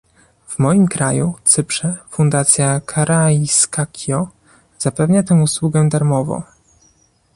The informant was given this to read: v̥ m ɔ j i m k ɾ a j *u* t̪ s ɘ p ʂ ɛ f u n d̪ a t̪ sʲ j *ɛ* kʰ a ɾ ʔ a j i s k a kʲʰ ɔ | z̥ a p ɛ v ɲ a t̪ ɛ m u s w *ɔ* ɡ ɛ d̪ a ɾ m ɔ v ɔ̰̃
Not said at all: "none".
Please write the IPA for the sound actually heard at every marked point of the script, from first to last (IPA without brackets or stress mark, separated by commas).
u, a, u